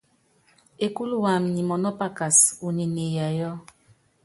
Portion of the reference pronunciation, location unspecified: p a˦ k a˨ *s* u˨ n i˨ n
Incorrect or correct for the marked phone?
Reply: correct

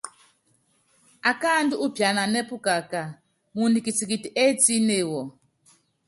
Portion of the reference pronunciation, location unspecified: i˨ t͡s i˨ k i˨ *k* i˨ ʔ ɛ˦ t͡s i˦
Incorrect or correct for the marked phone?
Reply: incorrect: t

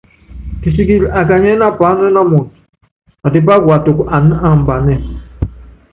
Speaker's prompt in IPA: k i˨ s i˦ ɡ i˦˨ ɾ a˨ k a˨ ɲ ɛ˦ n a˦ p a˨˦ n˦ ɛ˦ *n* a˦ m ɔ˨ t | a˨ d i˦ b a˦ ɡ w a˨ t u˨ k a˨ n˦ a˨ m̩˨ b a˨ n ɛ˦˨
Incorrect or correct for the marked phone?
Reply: correct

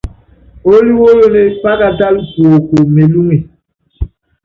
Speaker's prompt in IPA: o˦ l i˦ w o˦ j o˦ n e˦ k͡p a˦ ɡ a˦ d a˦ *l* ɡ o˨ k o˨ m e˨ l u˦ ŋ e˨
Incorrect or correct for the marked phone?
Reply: correct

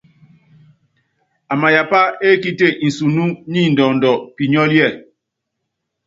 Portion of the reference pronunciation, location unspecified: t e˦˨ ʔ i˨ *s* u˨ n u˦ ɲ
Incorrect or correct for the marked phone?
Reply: correct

